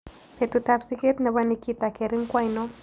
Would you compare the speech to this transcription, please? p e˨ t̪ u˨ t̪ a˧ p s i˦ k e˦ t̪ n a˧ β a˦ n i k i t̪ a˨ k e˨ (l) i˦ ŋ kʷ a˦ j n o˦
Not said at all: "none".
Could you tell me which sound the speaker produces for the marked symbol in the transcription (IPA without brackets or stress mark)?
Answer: ɾ